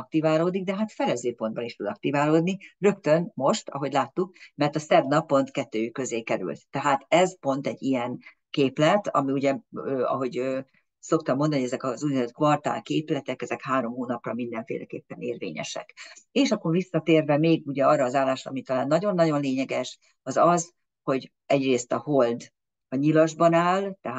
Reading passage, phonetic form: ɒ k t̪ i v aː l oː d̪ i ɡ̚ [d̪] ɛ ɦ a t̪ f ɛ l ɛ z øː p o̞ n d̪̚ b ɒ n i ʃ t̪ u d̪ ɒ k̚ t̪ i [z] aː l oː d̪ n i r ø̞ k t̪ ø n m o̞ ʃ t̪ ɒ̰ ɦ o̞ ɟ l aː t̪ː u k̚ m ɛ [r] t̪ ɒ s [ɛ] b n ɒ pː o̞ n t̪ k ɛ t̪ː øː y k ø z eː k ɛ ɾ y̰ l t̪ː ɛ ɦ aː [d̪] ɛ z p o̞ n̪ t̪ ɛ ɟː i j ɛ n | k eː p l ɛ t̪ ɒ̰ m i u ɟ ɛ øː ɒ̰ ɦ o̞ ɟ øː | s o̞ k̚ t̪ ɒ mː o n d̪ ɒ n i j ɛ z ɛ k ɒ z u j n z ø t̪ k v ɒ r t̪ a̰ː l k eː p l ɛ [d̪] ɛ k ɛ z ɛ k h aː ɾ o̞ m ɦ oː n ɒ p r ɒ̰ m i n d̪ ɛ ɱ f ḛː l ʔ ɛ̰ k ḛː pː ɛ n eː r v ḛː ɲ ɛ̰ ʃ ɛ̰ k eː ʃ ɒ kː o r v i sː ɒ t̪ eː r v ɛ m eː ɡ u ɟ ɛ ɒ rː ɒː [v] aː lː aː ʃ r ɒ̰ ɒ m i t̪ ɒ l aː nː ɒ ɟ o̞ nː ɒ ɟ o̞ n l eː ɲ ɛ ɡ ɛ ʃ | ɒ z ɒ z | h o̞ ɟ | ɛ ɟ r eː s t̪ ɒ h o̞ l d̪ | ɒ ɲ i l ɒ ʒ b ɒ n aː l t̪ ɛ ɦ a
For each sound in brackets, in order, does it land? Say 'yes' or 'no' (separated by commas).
yes, no, yes, yes, no, no, no